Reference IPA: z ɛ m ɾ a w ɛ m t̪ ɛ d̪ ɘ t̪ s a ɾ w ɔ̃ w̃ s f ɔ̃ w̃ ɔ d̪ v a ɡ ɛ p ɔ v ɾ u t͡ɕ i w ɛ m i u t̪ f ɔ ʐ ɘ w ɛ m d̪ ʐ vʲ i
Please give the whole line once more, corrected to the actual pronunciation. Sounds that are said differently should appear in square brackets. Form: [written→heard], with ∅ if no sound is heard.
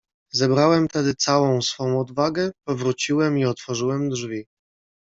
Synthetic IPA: z ɛ [m→b] ɾ a w ɛ m t̪ ɛ d̪ ɘ t̪ s a [ɾ→∅] w ɔ̃ w̃ s f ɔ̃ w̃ ɔ d̪ v a ɡ ɛ p ɔ v ɾ u t͡ɕ i w ɛ m i [u→ɔ] t̪ f ɔ ʐ ɘ w ɛ m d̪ ʐ vʲ i